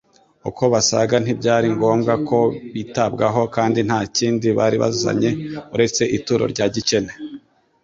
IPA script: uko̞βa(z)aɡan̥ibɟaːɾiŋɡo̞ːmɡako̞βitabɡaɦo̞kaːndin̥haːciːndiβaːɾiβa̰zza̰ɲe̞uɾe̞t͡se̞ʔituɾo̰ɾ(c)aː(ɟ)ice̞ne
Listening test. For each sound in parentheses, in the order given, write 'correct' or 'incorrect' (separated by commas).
incorrect, incorrect, correct